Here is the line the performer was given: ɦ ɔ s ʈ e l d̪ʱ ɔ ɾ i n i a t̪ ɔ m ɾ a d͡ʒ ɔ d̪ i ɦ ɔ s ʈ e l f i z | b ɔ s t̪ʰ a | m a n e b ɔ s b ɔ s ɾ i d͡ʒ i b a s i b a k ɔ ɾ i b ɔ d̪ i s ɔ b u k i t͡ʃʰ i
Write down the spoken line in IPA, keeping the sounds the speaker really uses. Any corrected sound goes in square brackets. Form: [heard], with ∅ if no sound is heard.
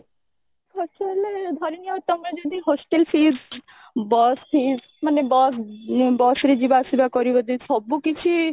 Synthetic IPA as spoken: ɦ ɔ s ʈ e l d̪ʱ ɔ ɾ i n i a t̪ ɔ m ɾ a d͡ʒ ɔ d̪ i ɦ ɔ s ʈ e l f i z | b ɔ s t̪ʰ [i] | m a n e b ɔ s b ɔ s ɾ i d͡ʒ i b a s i b a k ɔ ɾ i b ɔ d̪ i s ɔ b u k i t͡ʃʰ i